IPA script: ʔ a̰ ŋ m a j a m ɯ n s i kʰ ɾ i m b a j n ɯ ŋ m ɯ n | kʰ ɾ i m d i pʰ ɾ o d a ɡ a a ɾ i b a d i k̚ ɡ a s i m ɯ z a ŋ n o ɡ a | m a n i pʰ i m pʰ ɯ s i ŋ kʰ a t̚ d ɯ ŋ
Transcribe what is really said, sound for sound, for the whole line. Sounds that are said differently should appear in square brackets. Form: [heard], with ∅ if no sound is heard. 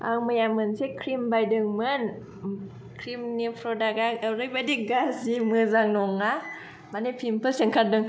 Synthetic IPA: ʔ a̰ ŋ m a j a m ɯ n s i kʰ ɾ i m b a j [d] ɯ ŋ m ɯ n | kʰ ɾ i m [n] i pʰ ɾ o d a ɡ a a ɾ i b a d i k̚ ɡ a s i m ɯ z a ŋ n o [ŋ] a | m a n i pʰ i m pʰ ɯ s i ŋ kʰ a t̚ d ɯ ŋ